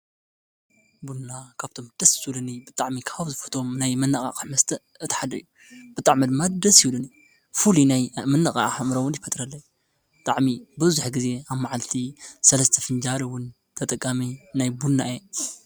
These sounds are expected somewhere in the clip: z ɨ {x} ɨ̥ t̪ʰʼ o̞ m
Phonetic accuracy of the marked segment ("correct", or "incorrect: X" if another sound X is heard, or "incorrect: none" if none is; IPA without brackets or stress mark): incorrect: f